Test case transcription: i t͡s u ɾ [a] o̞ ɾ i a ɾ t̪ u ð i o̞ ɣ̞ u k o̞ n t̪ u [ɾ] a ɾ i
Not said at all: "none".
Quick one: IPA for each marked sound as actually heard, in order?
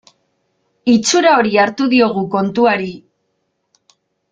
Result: a, none

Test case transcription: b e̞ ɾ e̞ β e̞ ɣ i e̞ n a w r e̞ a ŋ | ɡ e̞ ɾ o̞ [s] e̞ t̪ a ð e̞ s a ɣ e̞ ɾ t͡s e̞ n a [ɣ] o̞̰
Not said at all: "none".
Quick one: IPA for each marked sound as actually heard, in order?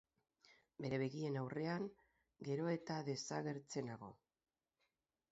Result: none, ɣ

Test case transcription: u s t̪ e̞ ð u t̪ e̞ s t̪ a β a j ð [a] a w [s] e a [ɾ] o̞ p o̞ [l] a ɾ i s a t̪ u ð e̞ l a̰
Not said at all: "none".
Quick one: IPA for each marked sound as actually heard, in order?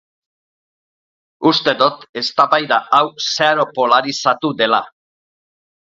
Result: a, s, ɾ, l

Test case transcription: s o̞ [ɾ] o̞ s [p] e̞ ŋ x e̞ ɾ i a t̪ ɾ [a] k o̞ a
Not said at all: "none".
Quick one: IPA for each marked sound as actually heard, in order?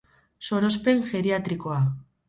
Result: ɾ, p, i

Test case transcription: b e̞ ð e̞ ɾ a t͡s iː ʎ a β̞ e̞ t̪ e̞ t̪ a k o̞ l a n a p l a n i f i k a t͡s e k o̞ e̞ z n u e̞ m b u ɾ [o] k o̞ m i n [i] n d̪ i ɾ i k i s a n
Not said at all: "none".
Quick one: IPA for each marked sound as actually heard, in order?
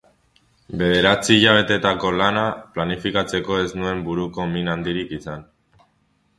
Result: u, a

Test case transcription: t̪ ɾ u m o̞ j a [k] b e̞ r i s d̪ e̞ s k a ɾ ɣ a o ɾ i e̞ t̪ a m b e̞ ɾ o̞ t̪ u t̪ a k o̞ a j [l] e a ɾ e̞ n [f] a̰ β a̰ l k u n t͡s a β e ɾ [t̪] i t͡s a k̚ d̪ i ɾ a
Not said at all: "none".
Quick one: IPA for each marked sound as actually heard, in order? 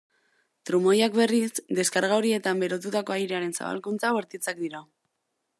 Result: k, ɾ, s, t̪

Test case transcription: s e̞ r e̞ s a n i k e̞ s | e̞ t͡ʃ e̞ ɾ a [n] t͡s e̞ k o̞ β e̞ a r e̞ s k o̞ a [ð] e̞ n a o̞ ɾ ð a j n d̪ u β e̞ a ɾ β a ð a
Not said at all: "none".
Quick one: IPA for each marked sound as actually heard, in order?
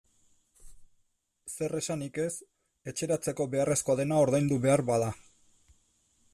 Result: none, ð

